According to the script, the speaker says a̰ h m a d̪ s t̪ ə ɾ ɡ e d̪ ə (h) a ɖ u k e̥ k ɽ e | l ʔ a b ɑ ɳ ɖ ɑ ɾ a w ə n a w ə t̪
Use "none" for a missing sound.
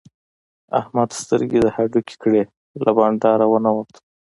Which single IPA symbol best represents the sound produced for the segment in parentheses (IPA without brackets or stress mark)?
h